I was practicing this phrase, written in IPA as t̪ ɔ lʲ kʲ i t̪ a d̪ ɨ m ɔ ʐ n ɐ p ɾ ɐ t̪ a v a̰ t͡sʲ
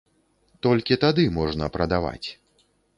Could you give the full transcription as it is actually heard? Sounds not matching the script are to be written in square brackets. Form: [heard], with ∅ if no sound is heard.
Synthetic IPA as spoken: t̪ ɔ lʲ kʲ i t̪ a d̪ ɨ m ɔ ʐ n ɐ p ɾ ɐ [d̪] a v a̰ t͡sʲ